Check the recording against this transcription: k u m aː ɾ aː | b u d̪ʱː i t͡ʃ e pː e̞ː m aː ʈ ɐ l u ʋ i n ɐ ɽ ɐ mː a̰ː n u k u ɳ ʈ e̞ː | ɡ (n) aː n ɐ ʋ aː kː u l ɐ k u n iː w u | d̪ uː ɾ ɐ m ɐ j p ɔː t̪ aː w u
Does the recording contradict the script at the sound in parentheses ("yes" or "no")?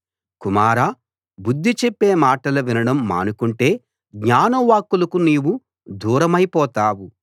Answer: yes